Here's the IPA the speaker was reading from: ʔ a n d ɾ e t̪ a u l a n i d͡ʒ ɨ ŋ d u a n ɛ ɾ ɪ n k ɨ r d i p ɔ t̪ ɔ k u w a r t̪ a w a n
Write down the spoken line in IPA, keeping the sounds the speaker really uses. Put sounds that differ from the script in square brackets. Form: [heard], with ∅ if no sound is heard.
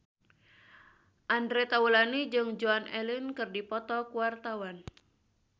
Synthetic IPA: ʔ a n d ɾ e t̪ a u l a n i d͡ʒ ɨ ŋ [d͡ʒ] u a n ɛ [l] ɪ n k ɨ r d i p ɔ t̪ ɔ k u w a r t̪ a w a n